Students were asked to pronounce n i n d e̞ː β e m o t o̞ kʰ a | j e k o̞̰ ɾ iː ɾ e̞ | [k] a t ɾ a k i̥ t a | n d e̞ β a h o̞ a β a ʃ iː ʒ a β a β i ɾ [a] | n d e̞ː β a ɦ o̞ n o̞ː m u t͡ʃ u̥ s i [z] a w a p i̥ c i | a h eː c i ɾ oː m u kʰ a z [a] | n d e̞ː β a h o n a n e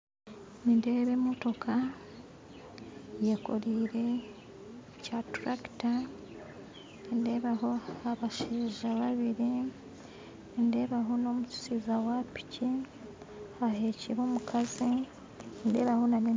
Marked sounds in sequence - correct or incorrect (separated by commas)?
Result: incorrect, incorrect, correct, incorrect